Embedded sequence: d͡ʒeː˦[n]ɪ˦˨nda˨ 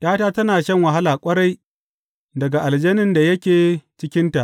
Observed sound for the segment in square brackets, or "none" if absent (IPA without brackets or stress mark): n